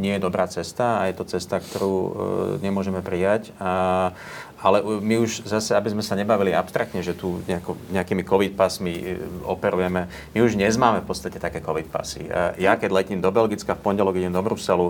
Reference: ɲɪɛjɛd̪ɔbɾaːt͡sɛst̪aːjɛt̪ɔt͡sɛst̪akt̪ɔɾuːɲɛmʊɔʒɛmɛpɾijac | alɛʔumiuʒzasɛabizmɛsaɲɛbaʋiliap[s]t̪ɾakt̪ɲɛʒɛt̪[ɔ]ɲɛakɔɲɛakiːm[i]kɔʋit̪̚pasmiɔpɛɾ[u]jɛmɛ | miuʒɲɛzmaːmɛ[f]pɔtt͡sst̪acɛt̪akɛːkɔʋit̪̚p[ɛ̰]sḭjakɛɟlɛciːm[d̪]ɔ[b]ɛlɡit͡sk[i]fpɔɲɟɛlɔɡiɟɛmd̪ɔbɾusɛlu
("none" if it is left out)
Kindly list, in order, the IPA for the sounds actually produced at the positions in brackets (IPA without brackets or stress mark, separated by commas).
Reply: s, u, i, u, f, a̰, d̪, b, a